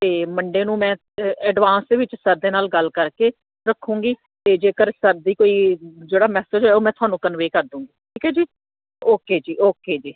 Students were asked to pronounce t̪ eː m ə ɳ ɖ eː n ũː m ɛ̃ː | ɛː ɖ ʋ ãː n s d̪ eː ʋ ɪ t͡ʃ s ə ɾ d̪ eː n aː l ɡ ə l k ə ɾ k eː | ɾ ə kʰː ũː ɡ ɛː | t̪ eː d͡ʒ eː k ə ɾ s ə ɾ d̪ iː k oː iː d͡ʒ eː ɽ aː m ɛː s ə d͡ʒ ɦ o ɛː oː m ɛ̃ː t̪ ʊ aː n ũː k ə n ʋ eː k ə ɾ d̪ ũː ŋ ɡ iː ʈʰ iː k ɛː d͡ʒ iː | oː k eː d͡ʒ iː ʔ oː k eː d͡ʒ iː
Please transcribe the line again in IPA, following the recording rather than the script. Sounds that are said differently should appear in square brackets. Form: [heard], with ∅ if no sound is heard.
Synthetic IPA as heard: t̪ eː m ə ɳ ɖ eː n ũː m ɛ̃ː | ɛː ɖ ʋ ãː n s d̪ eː ʋ ɪ t͡ʃ s ə ɾ d̪ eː n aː l ɡ ə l k ə ɾ k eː | ɾ ə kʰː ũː ɡ [iː] | t̪ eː d͡ʒ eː k ə ɾ s ə ɾ d̪ iː k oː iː d͡ʒ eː ɽ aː m ɛː s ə d͡ʒ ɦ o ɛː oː m ɛ̃ː t̪ ʊ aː n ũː k ə n ʋ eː k ə ɾ d̪ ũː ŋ ɡ iː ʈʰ iː k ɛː d͡ʒ iː | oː k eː d͡ʒ iː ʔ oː k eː d͡ʒ iː